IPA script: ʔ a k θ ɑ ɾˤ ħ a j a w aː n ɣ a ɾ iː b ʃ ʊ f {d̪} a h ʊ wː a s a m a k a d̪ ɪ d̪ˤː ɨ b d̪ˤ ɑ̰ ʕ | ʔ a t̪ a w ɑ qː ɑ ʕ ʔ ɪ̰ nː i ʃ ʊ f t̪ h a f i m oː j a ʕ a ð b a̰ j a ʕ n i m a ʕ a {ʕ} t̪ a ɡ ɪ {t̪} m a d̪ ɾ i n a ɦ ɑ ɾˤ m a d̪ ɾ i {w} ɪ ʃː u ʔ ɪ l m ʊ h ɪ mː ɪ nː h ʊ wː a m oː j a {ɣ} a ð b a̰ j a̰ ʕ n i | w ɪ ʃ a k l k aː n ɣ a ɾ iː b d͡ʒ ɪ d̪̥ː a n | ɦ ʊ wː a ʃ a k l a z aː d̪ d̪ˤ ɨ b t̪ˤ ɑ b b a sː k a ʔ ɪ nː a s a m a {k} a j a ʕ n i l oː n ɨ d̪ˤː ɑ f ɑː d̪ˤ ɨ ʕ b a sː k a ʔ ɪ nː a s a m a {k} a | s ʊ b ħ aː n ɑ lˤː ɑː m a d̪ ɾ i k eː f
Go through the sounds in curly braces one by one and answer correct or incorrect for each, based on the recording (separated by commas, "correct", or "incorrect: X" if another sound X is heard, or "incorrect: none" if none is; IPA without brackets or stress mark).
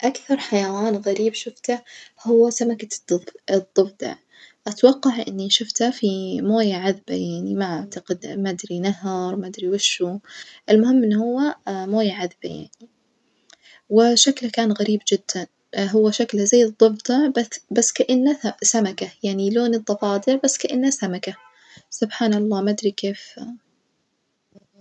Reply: incorrect: t̪, correct, incorrect: d̪, correct, incorrect: ʕ, correct, correct